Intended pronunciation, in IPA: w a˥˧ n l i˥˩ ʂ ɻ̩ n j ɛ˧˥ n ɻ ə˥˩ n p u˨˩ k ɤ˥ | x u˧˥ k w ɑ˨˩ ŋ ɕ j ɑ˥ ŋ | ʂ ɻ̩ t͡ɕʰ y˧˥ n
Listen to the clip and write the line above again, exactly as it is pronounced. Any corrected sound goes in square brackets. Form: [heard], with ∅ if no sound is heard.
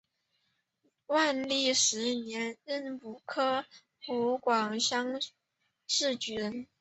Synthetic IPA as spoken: w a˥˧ n l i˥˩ ʂ ɻ̩ n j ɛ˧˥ n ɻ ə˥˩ n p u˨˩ [kʰ] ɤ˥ | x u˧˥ k w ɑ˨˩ ŋ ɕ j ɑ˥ ŋ | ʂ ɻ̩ [t͡ɕ] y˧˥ n